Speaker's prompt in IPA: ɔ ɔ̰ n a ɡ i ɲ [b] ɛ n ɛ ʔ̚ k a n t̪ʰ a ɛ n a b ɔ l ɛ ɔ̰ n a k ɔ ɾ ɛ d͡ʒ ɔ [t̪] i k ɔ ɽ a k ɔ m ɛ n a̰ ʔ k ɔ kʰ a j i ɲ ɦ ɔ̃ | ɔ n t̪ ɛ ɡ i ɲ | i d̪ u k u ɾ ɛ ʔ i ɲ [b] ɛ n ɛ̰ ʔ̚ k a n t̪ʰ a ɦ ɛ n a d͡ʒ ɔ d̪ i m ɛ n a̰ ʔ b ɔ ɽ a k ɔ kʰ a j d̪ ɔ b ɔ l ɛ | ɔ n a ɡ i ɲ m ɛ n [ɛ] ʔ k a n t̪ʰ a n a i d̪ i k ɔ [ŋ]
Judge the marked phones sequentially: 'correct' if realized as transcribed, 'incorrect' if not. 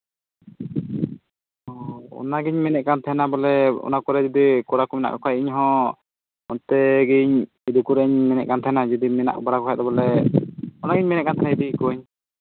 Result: incorrect, incorrect, incorrect, correct, incorrect

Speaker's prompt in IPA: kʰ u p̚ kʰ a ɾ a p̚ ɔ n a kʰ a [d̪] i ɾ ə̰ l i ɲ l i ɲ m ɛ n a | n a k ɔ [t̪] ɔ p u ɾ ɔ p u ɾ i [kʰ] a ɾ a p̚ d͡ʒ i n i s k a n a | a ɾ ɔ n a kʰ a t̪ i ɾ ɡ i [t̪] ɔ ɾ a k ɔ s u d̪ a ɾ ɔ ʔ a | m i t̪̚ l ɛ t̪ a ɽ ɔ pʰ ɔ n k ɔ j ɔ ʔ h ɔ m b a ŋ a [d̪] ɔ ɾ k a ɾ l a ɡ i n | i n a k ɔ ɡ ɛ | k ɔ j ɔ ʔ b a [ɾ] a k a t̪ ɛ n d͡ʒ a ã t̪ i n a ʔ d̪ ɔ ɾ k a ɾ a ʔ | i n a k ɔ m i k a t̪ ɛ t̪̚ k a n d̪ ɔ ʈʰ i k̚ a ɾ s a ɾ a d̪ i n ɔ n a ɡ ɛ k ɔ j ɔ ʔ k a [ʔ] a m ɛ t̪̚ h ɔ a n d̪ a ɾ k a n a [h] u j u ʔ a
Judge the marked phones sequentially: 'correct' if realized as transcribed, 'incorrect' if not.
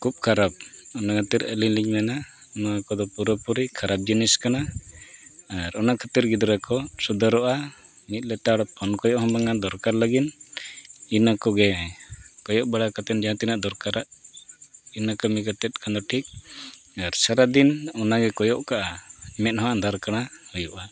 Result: incorrect, incorrect, correct, incorrect, correct, incorrect, correct, correct

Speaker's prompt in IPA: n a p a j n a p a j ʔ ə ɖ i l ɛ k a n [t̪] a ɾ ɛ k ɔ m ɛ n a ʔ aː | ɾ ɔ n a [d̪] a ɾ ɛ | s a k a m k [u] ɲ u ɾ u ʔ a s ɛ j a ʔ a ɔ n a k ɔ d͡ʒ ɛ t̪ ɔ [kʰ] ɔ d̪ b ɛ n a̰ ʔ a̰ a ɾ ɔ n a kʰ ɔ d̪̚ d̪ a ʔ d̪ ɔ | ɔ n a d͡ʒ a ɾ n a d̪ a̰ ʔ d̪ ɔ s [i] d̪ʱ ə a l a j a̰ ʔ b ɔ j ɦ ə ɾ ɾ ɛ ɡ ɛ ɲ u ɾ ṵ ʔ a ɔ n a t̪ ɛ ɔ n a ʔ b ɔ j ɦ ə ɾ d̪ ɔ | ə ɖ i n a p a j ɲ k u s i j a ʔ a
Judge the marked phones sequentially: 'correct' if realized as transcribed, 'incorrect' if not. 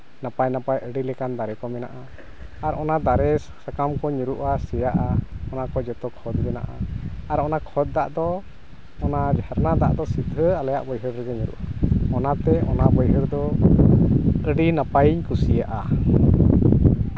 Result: incorrect, correct, incorrect, correct, correct

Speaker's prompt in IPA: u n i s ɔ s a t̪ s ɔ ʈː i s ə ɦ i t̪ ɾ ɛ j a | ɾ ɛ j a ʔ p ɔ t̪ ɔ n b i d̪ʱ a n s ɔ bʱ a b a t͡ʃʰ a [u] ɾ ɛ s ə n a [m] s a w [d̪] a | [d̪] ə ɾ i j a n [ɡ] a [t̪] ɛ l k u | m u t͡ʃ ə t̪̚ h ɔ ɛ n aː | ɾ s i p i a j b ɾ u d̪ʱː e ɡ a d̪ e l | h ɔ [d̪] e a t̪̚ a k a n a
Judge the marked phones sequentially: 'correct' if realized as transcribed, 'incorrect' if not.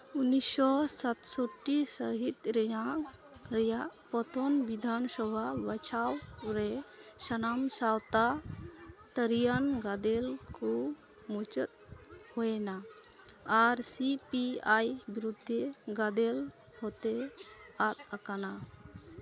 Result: incorrect, correct, incorrect, incorrect, correct, incorrect, incorrect

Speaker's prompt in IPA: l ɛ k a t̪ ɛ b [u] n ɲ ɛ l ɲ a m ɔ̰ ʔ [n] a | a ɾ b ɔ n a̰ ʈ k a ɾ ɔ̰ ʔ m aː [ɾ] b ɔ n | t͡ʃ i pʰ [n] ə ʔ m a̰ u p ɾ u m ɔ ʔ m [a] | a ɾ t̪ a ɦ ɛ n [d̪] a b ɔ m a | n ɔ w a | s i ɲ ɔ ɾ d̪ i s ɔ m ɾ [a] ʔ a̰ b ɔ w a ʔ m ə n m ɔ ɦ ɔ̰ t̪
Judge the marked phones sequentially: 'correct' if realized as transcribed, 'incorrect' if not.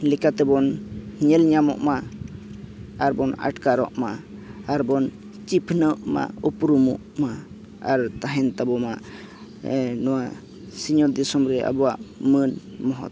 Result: incorrect, incorrect, correct, correct, correct, incorrect, incorrect

